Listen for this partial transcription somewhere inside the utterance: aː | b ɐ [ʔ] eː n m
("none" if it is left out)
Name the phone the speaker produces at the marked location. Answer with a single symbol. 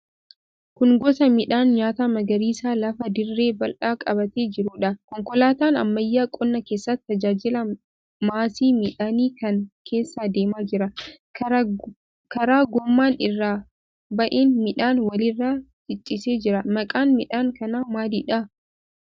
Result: ʔ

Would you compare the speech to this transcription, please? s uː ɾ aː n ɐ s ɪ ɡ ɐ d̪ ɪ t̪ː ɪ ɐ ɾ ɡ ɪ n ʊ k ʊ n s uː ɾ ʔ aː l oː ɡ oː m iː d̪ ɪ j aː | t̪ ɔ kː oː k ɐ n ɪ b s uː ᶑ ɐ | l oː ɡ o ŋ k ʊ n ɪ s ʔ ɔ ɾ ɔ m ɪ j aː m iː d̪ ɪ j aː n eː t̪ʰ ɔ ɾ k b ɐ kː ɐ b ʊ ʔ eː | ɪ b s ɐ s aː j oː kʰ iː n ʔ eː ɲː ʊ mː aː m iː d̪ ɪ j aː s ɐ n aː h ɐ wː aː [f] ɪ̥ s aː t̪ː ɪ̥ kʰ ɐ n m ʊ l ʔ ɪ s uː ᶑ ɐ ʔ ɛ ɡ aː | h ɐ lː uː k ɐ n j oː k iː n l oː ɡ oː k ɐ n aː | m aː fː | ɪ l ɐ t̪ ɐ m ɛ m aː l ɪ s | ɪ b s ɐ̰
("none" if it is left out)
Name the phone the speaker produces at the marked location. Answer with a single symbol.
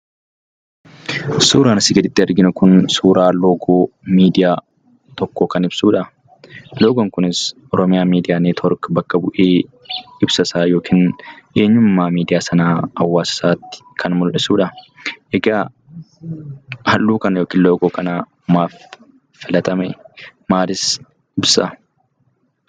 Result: s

